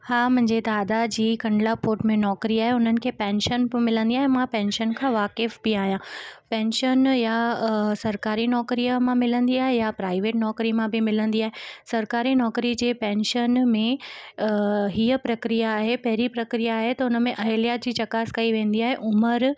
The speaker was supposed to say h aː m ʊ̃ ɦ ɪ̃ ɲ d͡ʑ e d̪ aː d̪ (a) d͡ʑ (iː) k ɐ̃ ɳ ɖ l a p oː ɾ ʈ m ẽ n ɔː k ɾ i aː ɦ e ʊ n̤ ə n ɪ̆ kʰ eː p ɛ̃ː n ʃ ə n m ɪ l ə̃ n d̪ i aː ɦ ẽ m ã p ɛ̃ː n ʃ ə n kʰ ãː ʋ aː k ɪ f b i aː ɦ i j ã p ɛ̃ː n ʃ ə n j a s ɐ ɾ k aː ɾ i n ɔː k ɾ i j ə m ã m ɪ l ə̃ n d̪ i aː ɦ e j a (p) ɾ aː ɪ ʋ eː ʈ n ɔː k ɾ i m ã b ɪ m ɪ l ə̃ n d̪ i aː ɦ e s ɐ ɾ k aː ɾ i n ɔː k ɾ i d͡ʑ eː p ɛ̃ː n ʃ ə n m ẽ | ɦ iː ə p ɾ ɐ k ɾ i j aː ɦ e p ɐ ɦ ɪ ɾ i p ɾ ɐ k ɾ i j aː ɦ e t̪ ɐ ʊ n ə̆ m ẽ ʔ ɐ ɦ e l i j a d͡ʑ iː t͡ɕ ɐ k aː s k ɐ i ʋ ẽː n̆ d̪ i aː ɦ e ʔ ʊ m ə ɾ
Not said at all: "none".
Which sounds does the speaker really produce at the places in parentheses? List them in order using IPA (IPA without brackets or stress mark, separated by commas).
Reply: a, iː, p